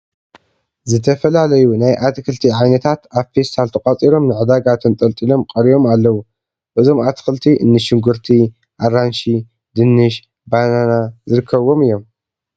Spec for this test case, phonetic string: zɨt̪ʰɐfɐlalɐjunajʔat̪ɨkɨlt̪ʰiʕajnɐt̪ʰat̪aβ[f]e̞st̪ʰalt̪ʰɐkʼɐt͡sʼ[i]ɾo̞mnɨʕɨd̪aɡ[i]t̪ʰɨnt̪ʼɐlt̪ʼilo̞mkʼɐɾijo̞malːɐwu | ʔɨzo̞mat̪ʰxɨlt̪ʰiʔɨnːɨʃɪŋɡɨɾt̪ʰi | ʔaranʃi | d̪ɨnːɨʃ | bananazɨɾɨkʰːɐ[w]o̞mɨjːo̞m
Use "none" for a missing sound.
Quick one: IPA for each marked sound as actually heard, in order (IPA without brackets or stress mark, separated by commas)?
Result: f, i, a, β